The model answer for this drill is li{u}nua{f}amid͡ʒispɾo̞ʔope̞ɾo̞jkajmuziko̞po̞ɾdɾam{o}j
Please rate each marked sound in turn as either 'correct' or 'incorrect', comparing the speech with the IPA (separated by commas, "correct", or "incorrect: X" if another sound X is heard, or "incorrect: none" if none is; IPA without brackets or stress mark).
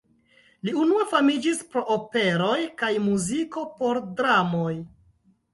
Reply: correct, correct, correct